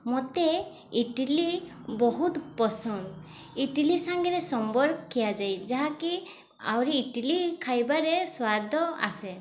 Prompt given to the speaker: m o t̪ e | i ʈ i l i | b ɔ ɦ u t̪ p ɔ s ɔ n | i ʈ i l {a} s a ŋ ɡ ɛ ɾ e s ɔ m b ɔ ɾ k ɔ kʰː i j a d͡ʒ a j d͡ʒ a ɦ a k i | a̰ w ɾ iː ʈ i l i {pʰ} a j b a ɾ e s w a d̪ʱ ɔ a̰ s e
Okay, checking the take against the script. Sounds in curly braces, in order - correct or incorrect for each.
incorrect: i, incorrect: kʰ

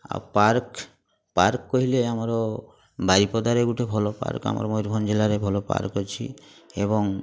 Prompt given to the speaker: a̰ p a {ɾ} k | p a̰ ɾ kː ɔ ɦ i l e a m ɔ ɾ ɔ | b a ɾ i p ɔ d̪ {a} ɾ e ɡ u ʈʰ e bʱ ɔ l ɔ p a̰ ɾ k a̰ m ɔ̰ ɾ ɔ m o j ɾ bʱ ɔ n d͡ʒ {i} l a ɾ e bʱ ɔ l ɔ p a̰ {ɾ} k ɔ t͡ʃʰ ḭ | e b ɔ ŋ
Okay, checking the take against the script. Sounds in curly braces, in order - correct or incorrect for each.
correct, correct, incorrect: e, correct

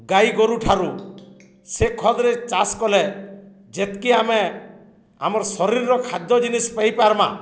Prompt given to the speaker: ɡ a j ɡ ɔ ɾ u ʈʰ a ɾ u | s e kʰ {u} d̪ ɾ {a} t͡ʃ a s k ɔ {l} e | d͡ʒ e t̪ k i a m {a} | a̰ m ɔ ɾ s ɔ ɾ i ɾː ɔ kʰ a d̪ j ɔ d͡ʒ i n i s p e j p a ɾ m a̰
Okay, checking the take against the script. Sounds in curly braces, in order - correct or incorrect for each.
incorrect: ɔ, incorrect: e, correct, incorrect: e

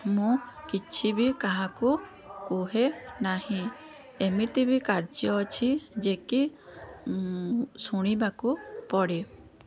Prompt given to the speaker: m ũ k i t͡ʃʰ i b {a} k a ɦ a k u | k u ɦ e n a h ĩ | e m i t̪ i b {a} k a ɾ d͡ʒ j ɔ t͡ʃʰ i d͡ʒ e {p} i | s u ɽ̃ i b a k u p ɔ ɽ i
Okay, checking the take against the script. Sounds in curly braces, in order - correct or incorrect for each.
incorrect: i, incorrect: i, incorrect: k

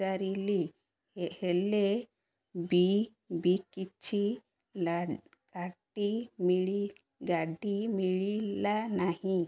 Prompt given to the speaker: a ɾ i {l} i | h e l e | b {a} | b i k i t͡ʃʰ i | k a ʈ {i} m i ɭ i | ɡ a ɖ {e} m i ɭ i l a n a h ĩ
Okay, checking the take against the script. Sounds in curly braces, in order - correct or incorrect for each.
correct, incorrect: i, correct, incorrect: i

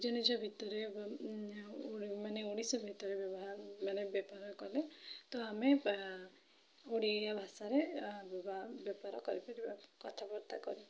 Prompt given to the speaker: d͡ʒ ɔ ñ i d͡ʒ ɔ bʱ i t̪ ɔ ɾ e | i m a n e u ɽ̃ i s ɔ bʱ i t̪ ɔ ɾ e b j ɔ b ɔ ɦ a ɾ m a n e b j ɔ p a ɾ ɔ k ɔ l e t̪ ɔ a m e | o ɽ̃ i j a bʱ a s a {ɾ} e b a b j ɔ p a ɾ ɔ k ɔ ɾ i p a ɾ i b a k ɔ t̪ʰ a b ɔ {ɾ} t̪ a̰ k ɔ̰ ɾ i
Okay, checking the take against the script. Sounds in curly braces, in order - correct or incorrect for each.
correct, correct

